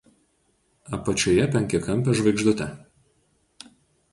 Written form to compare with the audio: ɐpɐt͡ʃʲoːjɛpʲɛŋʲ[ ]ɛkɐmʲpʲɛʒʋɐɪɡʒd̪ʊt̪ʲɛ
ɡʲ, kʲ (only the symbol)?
kʲ